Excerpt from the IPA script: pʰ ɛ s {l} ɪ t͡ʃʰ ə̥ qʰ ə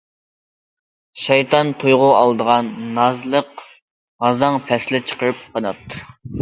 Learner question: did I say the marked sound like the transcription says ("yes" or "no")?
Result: yes